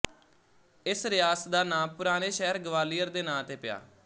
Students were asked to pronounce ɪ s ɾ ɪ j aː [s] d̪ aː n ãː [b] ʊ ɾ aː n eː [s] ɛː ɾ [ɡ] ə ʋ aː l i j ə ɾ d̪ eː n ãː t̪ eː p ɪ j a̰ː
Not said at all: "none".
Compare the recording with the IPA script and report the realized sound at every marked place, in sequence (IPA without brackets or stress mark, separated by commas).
s, p, ʃ, ɡ